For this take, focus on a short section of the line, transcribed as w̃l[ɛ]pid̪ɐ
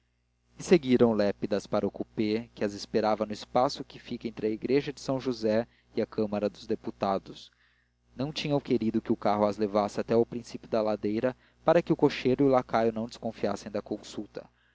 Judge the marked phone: correct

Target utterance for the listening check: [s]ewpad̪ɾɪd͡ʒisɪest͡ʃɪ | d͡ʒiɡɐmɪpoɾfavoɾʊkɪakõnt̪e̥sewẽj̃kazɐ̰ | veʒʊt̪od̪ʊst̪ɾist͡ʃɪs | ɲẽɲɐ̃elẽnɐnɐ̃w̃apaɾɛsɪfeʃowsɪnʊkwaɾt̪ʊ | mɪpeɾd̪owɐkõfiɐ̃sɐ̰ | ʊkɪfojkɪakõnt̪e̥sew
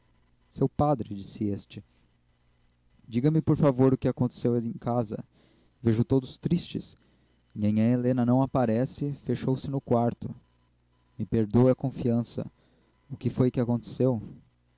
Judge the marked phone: correct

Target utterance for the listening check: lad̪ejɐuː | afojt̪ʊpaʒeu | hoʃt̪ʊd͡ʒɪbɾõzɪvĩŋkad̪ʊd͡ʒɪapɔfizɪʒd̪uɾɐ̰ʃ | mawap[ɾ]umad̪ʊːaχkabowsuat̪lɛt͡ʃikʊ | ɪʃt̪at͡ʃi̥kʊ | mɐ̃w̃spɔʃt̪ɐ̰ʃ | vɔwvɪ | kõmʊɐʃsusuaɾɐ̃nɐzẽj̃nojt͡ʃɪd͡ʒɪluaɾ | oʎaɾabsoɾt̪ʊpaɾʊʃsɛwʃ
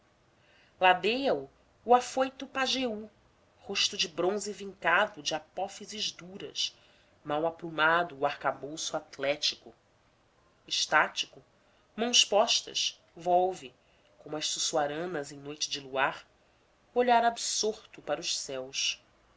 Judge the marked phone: correct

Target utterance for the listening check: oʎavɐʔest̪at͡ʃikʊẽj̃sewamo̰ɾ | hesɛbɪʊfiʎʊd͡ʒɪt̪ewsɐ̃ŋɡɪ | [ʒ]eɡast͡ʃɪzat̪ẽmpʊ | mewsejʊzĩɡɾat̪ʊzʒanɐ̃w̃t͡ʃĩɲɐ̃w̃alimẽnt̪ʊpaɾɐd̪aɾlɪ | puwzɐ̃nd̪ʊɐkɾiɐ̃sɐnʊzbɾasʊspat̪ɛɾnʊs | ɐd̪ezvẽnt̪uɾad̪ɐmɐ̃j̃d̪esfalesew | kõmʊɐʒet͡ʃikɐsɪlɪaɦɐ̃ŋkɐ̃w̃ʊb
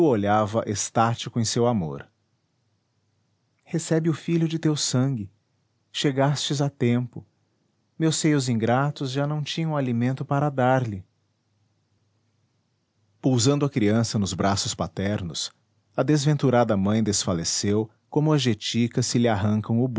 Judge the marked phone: incorrect: ʃ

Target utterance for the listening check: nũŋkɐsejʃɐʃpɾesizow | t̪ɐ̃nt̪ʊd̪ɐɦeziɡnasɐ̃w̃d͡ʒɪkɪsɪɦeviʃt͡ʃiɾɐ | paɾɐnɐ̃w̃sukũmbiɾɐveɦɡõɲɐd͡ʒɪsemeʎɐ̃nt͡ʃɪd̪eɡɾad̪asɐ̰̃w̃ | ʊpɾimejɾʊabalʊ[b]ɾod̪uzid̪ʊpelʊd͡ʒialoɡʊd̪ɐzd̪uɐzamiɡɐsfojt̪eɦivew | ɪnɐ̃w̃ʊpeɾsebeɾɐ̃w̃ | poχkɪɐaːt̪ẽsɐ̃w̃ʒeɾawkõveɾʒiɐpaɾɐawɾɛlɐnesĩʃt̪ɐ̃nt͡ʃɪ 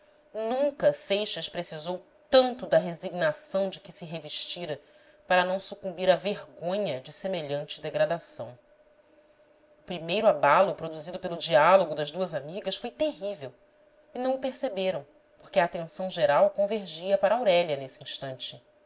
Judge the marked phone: incorrect: p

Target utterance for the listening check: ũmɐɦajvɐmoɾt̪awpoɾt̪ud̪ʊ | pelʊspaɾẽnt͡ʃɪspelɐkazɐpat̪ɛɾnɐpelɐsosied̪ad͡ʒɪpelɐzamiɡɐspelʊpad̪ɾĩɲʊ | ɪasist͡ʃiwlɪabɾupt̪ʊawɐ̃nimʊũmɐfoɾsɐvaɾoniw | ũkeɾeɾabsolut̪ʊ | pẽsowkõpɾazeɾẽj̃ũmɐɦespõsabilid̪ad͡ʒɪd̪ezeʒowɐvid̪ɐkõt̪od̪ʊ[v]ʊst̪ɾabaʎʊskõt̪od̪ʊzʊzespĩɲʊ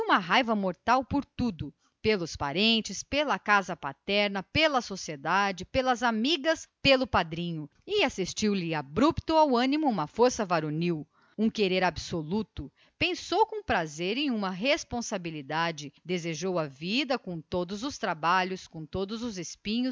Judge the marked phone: incorrect: z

